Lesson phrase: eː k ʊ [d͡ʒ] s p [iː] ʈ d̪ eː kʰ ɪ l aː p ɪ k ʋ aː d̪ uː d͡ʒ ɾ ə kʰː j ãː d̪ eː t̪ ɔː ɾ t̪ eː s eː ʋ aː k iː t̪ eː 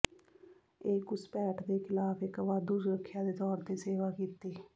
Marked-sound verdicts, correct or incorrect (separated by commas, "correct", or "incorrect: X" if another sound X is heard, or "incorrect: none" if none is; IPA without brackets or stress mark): incorrect: none, incorrect: ɛː